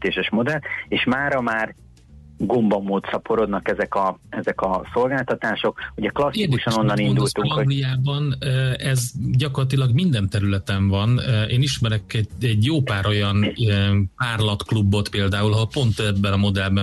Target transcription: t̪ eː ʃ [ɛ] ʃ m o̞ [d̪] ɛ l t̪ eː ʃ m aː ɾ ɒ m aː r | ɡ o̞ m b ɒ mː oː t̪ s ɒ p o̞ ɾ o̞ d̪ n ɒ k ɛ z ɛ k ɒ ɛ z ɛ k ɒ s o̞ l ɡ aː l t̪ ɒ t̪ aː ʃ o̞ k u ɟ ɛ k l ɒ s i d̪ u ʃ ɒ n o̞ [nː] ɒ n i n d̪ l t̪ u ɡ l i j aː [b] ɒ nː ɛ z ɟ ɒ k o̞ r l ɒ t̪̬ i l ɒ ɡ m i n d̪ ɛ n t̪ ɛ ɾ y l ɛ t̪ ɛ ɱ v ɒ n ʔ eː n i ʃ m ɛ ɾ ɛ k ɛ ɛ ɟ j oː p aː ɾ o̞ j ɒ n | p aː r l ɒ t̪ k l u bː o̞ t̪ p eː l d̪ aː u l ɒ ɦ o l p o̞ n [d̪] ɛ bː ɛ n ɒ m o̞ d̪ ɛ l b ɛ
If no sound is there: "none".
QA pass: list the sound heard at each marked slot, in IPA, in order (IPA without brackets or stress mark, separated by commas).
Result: ɛ, d̪, nː, b, t̪